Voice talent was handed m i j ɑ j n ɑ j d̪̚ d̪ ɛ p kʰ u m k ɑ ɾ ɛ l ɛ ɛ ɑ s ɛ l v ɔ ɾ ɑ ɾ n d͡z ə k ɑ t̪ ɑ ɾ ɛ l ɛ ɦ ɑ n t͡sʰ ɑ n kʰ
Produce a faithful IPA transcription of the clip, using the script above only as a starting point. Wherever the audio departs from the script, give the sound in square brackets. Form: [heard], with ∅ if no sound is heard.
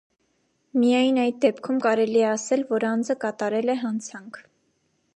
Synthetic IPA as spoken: m i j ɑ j n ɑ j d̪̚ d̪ ɛ p kʰ u m k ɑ ɾ ɛ l [i] ɛ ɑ s ɛ l v ɔ ɾ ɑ [∅] n d͡z ə k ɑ t̪ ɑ ɾ ɛ l ɛ ɦ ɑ n t͡sʰ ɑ [ŋ] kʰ